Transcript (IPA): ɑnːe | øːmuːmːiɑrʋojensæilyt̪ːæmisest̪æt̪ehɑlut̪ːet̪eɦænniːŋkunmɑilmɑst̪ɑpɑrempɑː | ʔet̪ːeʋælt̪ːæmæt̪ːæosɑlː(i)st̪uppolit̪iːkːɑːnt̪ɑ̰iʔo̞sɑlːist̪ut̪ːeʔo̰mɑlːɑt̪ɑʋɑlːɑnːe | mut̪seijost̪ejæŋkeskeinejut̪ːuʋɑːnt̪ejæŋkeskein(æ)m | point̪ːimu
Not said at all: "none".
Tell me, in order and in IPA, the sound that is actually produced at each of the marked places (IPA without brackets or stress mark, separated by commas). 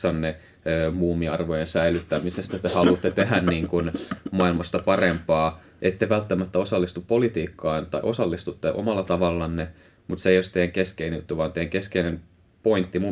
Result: i, e